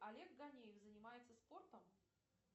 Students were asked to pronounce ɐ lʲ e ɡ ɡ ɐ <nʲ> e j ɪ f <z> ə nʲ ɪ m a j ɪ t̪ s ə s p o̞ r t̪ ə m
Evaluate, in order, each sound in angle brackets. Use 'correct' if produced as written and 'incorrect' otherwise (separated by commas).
correct, correct